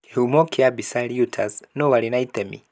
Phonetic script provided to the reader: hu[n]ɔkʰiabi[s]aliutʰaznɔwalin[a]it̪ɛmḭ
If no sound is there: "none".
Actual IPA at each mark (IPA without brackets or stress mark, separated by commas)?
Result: m, s, a